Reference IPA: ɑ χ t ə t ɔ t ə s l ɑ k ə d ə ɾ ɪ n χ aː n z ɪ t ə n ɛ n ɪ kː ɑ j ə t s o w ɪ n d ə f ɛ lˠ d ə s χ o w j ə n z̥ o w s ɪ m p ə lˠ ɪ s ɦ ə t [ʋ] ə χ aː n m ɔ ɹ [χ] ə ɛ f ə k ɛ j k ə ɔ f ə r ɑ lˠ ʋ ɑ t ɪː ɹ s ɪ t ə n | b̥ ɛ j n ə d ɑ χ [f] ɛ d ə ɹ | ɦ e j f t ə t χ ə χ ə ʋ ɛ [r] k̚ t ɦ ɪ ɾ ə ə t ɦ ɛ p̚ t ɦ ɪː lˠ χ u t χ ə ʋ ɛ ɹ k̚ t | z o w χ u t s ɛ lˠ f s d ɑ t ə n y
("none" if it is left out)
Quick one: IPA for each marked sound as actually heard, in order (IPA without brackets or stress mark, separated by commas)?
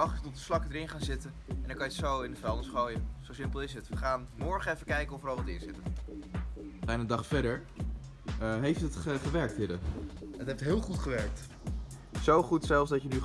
ʋ, χ, f, ɹ